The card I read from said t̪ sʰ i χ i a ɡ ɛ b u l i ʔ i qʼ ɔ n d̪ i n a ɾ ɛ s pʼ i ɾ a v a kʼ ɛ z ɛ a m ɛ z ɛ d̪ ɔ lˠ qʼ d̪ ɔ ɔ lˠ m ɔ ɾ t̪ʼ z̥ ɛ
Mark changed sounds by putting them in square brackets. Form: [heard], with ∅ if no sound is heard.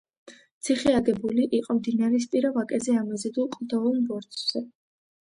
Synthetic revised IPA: t̪ sʰ i χ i a ɡ ɛ b u l i ʔ i qʼ ɔ [m] d̪ i n a ɾ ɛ s pʼ i ɾ a v a kʼ ɛ z ɛ a m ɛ z ɛ d̪ [u] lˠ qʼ d̪ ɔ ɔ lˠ [b] ɔ ɾ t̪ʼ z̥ ɛ